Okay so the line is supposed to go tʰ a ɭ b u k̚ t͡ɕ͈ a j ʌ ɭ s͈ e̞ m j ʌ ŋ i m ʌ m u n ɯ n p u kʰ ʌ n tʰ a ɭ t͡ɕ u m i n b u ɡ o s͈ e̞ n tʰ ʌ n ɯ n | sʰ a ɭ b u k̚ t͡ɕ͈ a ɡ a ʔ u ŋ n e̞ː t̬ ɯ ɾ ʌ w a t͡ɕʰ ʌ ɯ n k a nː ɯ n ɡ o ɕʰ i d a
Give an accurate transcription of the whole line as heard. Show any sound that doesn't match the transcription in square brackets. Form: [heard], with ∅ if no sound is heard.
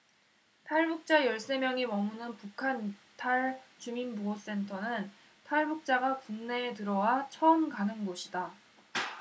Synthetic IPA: tʰ a ɭ b u k̚ t͡ɕ͈ a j ʌ ɭ s͈ e̞ m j ʌ ŋ i m ʌ m u n ɯ n p u kʰ [a] n tʰ a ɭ t͡ɕ u m i n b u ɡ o s͈ e̞ n tʰ ʌ n ɯ n | [tʰ] a ɭ b u k̚ t͡ɕ͈ a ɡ a [k] u ŋ n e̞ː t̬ ɯ ɾ ʌ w a t͡ɕʰ ʌ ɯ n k a [n] ɯ n ɡ o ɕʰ i d a